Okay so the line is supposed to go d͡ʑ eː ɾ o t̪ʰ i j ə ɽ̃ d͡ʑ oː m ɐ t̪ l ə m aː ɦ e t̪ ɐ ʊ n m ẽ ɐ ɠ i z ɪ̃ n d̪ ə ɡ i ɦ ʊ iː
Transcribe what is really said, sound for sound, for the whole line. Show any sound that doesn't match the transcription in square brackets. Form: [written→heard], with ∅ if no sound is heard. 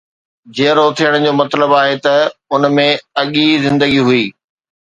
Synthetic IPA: d͡ʑ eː ɾ o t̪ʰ i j ə ɽ̃ d͡ʑ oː m ɐ t̪ l ə [m→b] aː ɦ e t̪ ɐ ʊ n m ẽ ɐ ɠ i z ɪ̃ n d̪ ə ɡ i ɦ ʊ iː